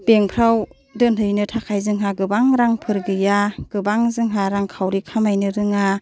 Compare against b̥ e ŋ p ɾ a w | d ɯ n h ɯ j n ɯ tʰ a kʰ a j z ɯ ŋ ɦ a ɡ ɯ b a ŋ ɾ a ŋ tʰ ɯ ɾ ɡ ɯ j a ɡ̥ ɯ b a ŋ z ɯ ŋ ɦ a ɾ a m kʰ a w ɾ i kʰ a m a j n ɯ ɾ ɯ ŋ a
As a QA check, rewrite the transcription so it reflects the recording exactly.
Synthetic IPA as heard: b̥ e ŋ pʰ ɾ a w | d ɯ n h ɯ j n ɯ tʰ a kʰ a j z ɯ ŋ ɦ a ɡ ɯ b a ŋ ɾ a ŋ pʰ ɯ ɾ ɡ ɯ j a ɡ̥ ɯ b a ŋ z ɯ ŋ ɦ a ɾ a ŋ kʰ a w ɾ i kʰ a m a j n ɯ ɾ ɯ ŋ a